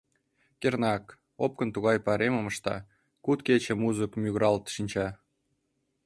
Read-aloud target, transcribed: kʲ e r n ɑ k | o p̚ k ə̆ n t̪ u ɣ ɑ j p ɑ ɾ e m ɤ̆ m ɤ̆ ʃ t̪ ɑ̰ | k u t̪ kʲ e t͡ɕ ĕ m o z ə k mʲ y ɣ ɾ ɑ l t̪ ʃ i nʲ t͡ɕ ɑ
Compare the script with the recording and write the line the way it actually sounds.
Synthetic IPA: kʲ e r n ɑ k | o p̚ k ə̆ n t̪ u ɣ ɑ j p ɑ ɾ e m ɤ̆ m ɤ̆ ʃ t̪ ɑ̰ | k u t̪ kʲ e t͡ɕ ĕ m u z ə k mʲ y ɣ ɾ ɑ l t̪ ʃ i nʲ t͡ɕ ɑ